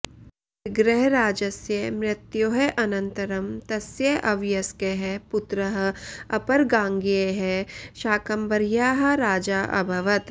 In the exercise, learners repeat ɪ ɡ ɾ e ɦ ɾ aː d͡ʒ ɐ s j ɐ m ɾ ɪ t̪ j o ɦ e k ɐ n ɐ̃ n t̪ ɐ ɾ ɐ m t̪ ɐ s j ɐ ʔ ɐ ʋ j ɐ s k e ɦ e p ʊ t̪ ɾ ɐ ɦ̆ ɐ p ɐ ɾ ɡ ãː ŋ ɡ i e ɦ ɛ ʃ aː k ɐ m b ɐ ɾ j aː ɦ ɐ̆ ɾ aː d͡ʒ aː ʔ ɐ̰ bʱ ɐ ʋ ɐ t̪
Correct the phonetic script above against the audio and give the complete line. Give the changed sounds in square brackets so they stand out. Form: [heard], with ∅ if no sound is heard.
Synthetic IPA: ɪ ɡ ɾ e ɦ ɾ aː d͡ʒ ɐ s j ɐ m ɾ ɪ t̪ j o ɦ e [ʔ] ɐ n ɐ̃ n t̪ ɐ ɾ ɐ m t̪ ɐ s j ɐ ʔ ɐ ʋ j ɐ s k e ɦ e p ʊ t̪ ɾ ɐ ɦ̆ ɐ p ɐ ɾ ɡ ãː ŋ ɡ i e ɦ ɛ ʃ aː k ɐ m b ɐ ɾ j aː ɦ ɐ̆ ɾ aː d͡ʒ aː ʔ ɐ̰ bʱ ɐ ʋ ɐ t̪

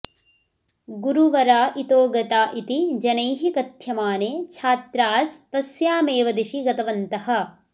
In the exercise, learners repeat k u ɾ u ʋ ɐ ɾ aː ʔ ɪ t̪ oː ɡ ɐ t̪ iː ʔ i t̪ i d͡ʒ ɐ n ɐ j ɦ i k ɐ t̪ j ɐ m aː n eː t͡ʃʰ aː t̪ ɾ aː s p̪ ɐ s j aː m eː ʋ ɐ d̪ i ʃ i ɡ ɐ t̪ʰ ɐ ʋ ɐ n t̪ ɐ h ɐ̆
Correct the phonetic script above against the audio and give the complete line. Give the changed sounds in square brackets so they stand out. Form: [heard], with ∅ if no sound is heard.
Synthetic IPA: [ɡ] u ɾ u ʋ ɐ ɾ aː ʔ [i] t̪ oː ɡ ɐ t̪ [aː] ʔ i t̪ i d͡ʒ ɐ n ɐ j ɦ i k ɐ t̪ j ɐ m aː n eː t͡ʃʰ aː t̪ ɾ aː s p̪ ɐ s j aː m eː ʋ ɐ d̪ i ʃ i ɡ ɐ [t̪] ɐ ʋ ɐ n t̪ ɐ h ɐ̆

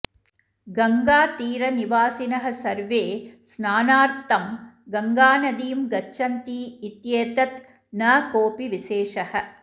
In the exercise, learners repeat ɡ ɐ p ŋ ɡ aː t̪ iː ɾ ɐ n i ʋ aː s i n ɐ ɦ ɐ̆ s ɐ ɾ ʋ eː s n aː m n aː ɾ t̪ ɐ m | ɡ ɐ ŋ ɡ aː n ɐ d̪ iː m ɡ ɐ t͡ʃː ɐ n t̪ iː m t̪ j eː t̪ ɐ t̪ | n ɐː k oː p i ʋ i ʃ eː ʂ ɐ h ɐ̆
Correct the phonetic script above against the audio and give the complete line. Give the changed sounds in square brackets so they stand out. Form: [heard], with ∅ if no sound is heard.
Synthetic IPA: ɡ ɐ [∅] ŋ ɡ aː t̪ iː ɾ ɐ n i ʋ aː s i n ɐ ɦ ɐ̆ s ɐ ɾ ʋ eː s n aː [∅] n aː ɾ t̪ ɐ m | ɡ ɐ ŋ ɡ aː n ɐ d̪ iː m ɡ ɐ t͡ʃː ɐ n t̪ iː [∅] t̪ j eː t̪ ɐ t̪ | n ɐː k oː p i ʋ i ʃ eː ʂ ɐ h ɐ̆

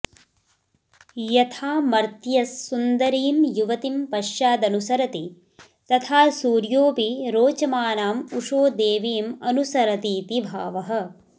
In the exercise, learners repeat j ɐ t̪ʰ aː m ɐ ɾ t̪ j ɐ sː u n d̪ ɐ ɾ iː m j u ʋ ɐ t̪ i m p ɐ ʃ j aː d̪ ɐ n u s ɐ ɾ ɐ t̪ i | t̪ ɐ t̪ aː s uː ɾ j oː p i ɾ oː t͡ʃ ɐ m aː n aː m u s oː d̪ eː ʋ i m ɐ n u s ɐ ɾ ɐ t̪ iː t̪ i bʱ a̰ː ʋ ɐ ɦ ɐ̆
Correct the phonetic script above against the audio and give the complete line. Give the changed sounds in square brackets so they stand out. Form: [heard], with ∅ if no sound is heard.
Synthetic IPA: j ɐ t̪ʰ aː m ɐ ɾ t̪ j ɐ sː u n d̪ ɐ ɾ iː m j u ʋ ɐ t̪ i m p ɐ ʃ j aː d̪ ɐ n u s ɐ ɾ ɐ t̪ i | t̪ ɐ [t̪ʰ] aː s uː ɾ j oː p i ɾ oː t͡ʃ ɐ m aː n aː m u [ʂ] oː d̪ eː ʋ [iː] m ɐ n u s ɐ ɾ ɐ t̪ iː t̪ i bʱ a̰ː ʋ ɐ ɦ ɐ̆

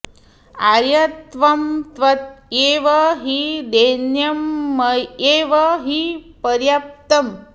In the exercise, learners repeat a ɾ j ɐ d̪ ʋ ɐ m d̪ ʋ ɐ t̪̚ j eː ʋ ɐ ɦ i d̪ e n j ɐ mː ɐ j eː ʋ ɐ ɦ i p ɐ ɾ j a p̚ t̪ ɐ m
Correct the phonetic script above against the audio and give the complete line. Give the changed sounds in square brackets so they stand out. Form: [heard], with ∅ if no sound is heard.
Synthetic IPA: a ɾ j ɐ [t̪] ʋ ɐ m [t̪] ʋ ɐ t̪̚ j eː ʋ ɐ ɦ i d̪ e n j ɐ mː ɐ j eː ʋ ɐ ɦ i p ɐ ɾ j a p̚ t̪ ɐ m

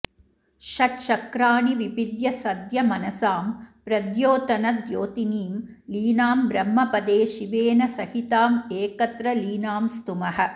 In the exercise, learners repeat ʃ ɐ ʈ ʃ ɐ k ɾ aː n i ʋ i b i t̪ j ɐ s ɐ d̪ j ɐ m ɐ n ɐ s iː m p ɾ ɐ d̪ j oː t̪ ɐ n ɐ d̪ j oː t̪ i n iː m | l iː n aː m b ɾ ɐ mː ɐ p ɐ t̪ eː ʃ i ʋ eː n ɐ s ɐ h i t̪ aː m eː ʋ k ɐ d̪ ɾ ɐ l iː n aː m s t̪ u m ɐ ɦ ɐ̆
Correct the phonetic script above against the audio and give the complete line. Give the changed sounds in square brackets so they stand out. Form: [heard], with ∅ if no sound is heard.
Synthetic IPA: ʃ ɐ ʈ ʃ ɐ k ɾ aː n i ʋ i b i [d̪] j ɐ s ɐ d̪ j ɐ m ɐ n ɐ s [aː] m p ɾ ɐ d̪ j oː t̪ ɐ n ɐ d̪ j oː t̪ i n iː m | l iː n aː m b ɾ ɐ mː ɐ p ɐ [d̪] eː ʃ i ʋ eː n ɐ s ɐ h i t̪ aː m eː [∅] k ɐ [t̪] ɾ ɐ l iː n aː m s t̪ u m ɐ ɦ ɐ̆

